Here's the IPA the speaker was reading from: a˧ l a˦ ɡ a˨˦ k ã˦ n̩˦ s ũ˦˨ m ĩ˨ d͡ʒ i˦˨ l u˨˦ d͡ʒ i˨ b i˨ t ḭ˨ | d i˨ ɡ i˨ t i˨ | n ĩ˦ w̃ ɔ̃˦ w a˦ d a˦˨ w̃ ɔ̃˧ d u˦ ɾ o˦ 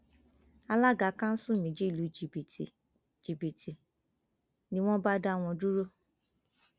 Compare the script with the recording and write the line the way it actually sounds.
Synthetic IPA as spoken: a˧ l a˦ ɡ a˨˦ k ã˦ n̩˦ s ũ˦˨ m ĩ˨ d͡ʒ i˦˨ l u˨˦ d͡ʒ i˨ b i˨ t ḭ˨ | d͡ʒ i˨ b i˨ t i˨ | n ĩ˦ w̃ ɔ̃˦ b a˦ d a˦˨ w̃ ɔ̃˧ d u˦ ɾ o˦

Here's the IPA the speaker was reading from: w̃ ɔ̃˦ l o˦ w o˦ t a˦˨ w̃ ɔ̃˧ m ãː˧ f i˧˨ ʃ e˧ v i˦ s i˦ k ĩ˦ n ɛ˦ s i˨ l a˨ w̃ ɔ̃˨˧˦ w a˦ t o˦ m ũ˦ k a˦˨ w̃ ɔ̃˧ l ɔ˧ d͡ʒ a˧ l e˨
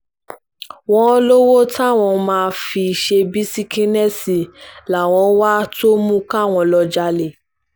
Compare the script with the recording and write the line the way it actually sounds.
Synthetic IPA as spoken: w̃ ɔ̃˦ l o˦ w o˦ t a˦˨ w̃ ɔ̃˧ m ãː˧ f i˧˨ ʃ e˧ b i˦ s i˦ k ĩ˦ n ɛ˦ s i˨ l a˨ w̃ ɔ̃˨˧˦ w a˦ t o˦ m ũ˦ k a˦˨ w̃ ɔ̃˧ l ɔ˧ d͡ʒ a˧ l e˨

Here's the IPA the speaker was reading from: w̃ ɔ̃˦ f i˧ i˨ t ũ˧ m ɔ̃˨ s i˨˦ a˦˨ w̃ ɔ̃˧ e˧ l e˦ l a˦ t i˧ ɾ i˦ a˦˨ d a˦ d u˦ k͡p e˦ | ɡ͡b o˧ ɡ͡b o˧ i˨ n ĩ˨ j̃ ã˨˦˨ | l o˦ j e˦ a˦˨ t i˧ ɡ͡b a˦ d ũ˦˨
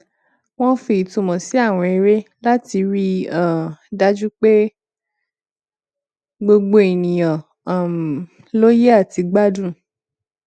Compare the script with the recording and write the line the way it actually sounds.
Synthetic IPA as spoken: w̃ ɔ̃˦ f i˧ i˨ t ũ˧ m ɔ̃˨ s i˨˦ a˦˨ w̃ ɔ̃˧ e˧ ɾ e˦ l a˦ t i˧ ɾ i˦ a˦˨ d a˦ d͡ʒ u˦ k͡p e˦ | ɡ͡b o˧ ɡ͡b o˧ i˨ n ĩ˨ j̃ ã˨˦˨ | l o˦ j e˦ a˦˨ t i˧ ɡ͡b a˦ d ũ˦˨

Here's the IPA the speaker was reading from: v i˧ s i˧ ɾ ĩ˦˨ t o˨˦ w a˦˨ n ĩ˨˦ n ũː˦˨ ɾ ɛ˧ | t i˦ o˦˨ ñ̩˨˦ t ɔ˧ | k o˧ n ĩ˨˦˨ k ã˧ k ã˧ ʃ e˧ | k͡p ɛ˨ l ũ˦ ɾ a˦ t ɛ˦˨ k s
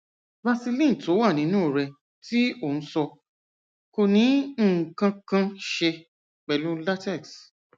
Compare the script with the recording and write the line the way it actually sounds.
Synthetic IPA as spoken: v a˧ s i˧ l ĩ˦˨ t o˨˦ w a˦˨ n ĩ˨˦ n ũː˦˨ ɾ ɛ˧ | t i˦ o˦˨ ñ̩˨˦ s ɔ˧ | k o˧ n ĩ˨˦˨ k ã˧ k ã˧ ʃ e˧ | k͡p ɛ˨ l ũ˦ l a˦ t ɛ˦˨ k s

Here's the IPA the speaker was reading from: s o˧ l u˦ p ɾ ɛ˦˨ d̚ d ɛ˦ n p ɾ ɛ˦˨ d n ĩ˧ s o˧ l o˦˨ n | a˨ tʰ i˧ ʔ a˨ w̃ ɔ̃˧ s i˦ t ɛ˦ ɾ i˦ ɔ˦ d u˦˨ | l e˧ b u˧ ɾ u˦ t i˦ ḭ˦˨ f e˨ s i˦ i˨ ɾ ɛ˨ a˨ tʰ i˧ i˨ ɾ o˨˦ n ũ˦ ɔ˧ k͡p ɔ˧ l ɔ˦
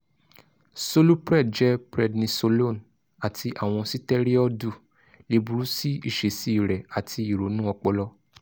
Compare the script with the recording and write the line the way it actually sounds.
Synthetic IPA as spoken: s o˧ l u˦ p ɾ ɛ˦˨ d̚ d͡ʒ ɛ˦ p ɾ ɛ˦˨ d n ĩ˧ s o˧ l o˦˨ n | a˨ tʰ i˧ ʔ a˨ w̃ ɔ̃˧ s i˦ t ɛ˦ ɾ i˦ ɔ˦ d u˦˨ | l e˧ b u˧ ɾ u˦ s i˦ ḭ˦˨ ʃ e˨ s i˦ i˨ ɾ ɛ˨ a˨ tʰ i˧ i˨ ɾ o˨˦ n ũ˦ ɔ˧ k͡p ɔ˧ l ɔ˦

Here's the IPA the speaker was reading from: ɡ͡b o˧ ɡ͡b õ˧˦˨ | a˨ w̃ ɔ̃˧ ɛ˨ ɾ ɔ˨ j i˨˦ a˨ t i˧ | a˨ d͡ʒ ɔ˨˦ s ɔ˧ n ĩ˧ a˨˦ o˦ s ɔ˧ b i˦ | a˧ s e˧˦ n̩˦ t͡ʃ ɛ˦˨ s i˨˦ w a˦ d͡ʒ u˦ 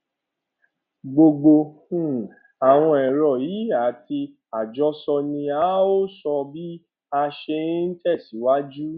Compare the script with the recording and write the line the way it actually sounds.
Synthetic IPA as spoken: ɡ͡b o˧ ɡ͡b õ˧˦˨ | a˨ w̃ ɔ̃˧ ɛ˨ ɾ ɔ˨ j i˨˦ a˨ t i˧ | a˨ d͡ʒ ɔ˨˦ s ɔ˧ n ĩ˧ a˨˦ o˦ s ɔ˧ b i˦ | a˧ ʃ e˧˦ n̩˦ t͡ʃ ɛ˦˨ s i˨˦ w a˦ d͡ʒ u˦

